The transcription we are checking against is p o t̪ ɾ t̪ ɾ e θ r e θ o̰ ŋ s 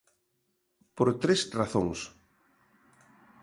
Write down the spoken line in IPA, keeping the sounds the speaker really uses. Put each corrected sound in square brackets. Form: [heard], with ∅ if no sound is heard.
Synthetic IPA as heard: p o [∅] ɾ t̪ ɾ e [s] r [a] θ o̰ ŋ s